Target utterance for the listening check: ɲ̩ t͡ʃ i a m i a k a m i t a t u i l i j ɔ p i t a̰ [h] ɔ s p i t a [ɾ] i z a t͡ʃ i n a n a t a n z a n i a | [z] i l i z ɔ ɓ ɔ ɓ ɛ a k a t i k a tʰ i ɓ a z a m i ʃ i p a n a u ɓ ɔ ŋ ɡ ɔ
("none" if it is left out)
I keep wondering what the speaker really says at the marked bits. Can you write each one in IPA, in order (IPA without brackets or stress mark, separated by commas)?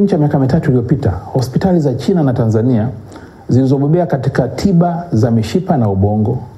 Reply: h, l, z